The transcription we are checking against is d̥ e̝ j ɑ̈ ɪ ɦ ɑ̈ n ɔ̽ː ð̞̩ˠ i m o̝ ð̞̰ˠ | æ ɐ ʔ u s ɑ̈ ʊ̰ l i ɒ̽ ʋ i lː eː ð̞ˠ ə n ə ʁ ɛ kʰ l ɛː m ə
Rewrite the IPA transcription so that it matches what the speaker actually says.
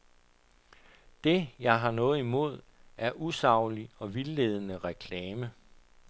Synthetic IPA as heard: d̥ e̝ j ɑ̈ ɪ ɦ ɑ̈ n ɔ̽ː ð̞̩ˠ i m o̝ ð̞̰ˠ | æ ɐ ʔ u s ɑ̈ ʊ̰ l i ɒ̽ ʋ i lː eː ð̞ˠ ə n ə ʁ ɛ kʰ l ɛː m ə